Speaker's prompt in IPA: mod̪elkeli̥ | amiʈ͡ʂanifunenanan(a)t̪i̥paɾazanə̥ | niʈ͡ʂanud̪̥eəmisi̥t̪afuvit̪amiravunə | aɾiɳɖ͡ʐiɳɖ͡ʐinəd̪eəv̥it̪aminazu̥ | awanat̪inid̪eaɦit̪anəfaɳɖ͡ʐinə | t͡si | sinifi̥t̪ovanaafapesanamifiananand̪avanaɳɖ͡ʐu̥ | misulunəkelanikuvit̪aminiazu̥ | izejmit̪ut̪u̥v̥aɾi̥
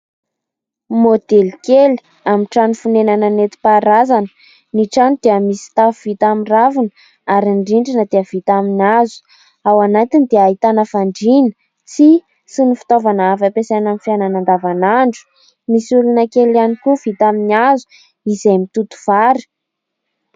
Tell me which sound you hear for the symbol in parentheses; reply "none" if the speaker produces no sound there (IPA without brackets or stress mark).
e